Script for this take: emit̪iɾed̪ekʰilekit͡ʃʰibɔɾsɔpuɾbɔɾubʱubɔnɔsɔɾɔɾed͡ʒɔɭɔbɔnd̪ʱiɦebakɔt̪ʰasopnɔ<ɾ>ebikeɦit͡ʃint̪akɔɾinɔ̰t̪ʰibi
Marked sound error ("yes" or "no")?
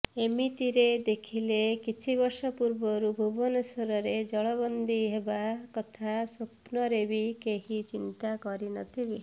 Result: no